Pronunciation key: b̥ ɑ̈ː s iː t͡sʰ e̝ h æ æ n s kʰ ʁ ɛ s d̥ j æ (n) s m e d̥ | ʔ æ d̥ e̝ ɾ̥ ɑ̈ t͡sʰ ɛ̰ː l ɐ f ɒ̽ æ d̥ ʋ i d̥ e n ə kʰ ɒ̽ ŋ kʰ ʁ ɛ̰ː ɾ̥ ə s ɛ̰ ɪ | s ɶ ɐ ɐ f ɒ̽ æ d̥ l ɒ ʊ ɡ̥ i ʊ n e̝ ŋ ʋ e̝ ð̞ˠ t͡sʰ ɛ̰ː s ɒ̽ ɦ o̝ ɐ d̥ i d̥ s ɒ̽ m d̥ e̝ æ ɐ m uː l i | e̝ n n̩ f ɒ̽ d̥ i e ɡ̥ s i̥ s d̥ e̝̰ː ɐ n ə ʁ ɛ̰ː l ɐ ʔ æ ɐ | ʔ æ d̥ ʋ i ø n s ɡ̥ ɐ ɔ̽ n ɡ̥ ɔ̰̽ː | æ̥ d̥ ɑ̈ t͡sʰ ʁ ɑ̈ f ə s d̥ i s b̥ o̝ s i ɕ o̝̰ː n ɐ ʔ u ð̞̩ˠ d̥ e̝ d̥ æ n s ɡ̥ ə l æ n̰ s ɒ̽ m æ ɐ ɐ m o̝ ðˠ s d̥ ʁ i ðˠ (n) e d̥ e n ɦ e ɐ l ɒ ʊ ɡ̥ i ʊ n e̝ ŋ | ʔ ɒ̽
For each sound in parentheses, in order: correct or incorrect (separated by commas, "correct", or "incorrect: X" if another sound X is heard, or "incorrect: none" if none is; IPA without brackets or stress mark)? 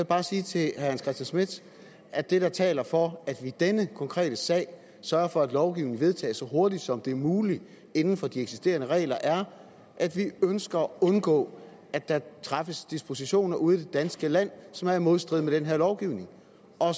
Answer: correct, incorrect: m